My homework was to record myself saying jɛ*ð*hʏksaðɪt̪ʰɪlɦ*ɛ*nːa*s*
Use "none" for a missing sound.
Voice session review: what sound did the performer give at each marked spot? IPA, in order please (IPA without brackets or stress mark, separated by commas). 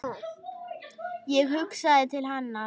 ɣ, a, none